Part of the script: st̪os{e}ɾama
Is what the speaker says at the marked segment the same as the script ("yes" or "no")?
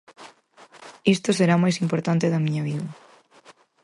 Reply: yes